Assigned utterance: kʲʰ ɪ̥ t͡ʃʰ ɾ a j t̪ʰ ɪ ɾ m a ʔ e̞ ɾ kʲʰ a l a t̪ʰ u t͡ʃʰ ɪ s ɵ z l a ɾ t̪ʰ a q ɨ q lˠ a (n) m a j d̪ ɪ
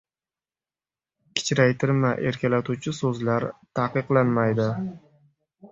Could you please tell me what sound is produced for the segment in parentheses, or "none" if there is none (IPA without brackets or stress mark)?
n